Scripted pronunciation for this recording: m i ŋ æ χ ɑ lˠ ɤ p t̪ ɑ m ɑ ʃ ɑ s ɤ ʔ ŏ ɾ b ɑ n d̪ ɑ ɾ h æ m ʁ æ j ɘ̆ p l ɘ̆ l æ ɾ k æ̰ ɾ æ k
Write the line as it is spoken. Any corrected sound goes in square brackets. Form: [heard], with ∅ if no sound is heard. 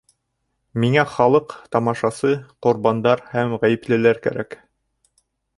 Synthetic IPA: m i ŋ æ χ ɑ lˠ ɤ [q] t̪ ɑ m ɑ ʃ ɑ s ɤ [q] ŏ ɾ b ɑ n d̪ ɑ ɾ h æ m ʁ æ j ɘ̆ p l ɘ̆ l æ ɾ k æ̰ ɾ æ k